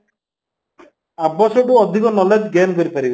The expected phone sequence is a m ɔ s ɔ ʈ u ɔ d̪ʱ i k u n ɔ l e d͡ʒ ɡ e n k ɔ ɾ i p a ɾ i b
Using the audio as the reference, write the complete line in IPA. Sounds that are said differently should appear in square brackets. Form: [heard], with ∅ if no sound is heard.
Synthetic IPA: a [b] ɔ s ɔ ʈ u ɔ d̪ʱ i k [ɔ] n ɔ l e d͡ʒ ɡ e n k ɔ ɾ i p a ɾ i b